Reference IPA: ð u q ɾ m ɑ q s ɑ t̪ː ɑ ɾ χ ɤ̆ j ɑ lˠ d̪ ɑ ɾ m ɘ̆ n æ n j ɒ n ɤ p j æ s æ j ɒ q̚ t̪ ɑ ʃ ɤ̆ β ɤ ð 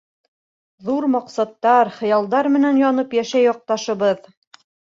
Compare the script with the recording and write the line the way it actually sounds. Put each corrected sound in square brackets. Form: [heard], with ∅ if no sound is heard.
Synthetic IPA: ð u [∅] ɾ m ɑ q s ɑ t̪ː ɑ ɾ χ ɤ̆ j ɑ lˠ d̪ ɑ ɾ m ɘ̆ n æ n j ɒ n ɤ p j æ [ʃ] æ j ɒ q̚ t̪ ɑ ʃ ɤ̆ β ɤ ð